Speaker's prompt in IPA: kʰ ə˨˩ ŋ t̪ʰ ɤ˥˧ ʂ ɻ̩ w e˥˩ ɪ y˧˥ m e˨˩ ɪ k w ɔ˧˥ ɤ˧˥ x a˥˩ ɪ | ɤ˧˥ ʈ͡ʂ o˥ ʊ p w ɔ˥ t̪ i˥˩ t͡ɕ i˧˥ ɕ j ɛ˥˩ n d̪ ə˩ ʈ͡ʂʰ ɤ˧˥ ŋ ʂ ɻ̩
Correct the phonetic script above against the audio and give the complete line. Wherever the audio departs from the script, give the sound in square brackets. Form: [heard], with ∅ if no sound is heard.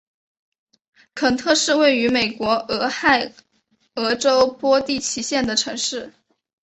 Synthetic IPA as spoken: kʰ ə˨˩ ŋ t̪ʰ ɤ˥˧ ʂ ɻ̩ w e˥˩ ɪ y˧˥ m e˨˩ ɪ k w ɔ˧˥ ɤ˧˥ x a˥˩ ɪ | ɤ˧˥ ʈ͡ʂ o˥ ʊ p w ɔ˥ t̪ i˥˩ [t͡ɕʰ] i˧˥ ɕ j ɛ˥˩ n d̪ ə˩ ʈ͡ʂʰ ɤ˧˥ ŋ ʂ ɻ̩